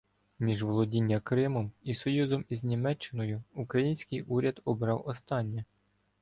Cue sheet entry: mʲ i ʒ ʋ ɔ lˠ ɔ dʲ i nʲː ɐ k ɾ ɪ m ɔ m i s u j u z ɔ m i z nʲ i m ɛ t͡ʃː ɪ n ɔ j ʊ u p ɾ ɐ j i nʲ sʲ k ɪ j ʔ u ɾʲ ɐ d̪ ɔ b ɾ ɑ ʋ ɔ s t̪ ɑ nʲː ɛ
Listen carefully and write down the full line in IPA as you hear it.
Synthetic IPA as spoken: mʲ i ʒ ʋ ɔ lˠ ɔ dʲ i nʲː ɐ k ɾ ɪ m ɔ m i s ɔ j u z ɔ m i z nʲ i m ɛ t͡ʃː ɪ n ɔ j ʊ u k ɾ ɐ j i nʲ sʲ k ɪ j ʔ u ɾʲ ɐ d̪ ɔ b ɾ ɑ w ɔ s t̪ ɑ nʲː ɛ